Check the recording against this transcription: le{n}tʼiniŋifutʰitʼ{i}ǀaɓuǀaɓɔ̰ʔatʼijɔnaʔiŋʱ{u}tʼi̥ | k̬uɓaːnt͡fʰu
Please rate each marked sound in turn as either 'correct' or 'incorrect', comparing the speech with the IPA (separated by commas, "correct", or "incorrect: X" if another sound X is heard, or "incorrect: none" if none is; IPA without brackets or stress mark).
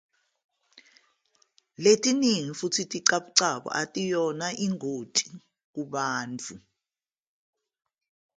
incorrect: none, correct, incorrect: o